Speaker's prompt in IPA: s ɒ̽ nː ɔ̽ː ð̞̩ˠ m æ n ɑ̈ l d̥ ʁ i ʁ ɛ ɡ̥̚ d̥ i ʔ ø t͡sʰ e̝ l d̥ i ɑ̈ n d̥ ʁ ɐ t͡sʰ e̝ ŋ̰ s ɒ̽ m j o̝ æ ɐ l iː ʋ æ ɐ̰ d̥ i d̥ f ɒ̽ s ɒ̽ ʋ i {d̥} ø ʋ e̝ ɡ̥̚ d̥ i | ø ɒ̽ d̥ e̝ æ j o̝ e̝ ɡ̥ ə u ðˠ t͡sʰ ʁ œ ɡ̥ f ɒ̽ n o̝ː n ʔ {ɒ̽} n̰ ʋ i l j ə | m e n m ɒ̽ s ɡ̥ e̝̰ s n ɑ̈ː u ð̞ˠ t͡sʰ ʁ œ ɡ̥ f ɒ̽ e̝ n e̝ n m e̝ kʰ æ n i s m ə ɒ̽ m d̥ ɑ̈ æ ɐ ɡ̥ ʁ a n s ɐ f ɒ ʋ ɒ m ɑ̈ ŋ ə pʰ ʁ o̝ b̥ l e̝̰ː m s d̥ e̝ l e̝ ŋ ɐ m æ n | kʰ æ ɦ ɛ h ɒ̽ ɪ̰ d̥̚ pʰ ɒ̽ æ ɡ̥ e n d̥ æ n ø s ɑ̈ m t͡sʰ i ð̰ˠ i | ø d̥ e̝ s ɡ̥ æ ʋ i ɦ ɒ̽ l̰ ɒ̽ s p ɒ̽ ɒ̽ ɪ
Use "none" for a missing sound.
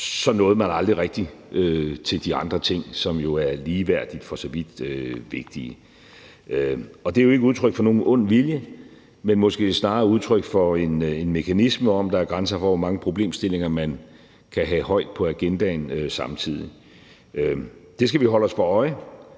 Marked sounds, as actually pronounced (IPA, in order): d̥, ɔ̽

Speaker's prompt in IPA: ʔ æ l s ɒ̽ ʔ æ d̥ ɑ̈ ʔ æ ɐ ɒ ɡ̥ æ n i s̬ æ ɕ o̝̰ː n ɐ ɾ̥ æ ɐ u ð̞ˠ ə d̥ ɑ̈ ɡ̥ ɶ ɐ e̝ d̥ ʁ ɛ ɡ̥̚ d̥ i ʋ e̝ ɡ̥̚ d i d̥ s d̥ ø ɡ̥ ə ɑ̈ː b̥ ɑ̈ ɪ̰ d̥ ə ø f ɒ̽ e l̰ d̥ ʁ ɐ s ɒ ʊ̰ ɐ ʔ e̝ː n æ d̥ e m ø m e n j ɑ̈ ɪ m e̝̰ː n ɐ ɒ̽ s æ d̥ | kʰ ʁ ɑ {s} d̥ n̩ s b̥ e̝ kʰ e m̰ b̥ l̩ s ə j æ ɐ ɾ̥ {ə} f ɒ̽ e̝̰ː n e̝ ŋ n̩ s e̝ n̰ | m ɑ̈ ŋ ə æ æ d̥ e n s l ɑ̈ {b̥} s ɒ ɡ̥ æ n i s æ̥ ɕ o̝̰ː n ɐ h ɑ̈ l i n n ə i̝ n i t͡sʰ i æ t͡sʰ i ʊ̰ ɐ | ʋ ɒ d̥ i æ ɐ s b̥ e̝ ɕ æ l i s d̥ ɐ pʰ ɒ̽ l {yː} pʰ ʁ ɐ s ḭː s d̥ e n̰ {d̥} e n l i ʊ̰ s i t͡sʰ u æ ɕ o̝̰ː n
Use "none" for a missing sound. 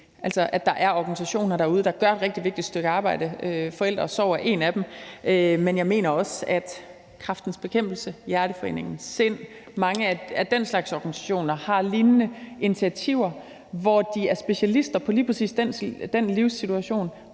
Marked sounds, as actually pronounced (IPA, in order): f, ə, ɡ̥, iː, d̥

